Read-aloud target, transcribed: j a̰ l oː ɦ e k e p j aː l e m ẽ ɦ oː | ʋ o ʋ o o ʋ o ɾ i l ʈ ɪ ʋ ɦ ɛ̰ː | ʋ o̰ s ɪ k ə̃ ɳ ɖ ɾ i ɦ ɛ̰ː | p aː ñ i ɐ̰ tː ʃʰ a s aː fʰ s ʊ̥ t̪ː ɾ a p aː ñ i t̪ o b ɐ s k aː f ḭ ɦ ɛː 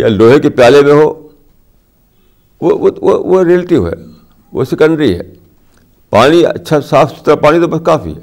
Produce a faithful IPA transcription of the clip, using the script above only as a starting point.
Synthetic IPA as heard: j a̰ l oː ɦ e k e p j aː l e m ẽ ɦ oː | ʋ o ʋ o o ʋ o ɾ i l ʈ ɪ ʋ ɦ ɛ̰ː | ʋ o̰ s ɪ k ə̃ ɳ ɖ ɾ i ɦ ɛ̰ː | p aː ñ i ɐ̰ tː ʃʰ a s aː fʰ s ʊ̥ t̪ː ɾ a p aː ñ i t̪ o b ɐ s k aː f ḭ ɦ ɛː